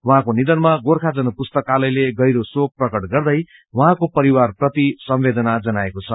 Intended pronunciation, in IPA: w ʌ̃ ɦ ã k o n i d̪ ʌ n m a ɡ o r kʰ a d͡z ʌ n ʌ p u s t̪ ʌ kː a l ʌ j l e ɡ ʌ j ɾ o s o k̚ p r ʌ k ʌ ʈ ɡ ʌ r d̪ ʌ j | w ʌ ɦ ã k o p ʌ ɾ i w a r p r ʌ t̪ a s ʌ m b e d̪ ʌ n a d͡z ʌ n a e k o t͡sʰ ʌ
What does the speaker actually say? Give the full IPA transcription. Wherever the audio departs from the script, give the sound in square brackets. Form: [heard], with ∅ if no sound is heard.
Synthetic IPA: w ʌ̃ ɦ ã k o n i d̪ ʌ n m a ɡ o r kʰ a d͡z ʌ n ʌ p u s t̪ ʌ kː a l ʌ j l e ɡ ʌ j ɾ o s o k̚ p r ʌ k ʌ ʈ ɡ ʌ r d̪ ʌ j | w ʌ ɦ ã k o p ʌ ɾ i w a r p r ʌ t̪ [i] s ʌ m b e d̪ ʌ n a d͡z ʌ n a e k o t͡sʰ ʌ